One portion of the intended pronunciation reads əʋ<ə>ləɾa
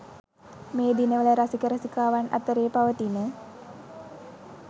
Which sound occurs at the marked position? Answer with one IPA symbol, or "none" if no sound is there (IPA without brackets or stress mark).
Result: ə